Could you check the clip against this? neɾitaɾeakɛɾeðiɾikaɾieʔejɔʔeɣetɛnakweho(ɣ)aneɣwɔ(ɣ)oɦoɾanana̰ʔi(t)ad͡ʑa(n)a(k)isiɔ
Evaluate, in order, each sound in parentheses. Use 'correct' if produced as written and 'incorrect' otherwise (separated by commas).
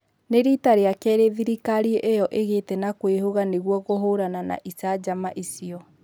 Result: correct, correct, incorrect, incorrect, incorrect